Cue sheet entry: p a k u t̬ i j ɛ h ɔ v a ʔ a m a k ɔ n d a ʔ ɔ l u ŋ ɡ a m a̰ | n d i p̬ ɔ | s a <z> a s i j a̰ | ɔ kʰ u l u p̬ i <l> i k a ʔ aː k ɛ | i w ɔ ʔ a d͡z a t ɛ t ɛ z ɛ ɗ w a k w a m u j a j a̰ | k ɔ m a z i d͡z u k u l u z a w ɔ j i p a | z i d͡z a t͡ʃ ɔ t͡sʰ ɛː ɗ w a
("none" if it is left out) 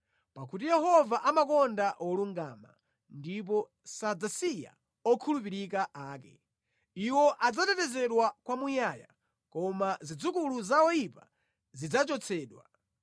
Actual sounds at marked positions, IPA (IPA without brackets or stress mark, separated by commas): d͡z, ɾ